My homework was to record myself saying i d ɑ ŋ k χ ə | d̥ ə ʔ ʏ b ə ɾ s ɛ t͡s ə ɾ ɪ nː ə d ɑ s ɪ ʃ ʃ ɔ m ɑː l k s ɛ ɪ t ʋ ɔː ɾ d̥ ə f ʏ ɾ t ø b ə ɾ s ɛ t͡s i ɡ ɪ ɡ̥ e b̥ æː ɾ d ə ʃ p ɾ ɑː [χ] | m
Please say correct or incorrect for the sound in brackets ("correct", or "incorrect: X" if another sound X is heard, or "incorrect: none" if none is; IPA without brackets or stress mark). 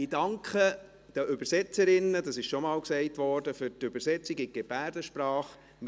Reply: correct